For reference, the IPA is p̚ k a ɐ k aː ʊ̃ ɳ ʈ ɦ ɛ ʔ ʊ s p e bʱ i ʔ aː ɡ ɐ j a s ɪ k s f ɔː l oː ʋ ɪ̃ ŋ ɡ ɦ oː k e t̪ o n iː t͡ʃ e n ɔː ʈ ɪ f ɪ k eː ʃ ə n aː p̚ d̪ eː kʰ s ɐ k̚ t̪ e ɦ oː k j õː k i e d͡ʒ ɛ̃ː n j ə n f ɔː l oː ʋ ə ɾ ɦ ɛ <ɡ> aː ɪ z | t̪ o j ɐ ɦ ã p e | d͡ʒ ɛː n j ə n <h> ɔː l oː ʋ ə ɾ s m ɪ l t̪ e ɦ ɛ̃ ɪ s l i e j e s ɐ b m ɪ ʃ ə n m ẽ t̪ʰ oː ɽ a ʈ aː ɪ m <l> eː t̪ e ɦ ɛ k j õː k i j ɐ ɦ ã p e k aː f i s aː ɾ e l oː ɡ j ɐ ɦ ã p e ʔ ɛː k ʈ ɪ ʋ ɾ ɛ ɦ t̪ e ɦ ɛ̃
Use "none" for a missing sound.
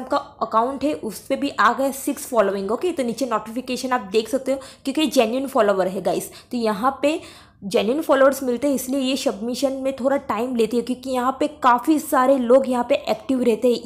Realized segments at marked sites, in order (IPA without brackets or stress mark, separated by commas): ɡ, f, l